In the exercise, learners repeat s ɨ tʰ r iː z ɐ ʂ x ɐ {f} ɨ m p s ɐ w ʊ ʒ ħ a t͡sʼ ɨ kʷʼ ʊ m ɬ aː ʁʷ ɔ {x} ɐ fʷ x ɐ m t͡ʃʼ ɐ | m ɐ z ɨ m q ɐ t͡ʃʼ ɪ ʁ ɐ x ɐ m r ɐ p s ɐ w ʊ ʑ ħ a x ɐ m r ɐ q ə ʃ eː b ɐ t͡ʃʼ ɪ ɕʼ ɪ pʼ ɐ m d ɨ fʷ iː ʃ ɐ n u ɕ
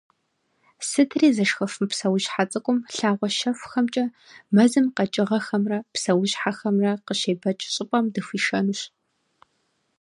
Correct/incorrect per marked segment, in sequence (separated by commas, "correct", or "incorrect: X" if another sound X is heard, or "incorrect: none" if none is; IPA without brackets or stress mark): correct, incorrect: ʃ